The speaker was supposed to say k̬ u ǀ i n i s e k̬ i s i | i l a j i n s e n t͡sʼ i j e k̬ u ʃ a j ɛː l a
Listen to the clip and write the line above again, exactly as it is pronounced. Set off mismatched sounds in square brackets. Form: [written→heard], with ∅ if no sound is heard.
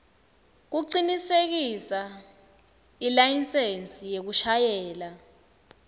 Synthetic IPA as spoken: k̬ u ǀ i n i s e k̬ i s [i→a] | i l a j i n s e n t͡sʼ i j e k̬ u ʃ a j ɛː l a